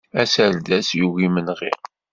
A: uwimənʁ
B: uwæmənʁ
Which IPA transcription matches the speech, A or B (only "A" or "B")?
A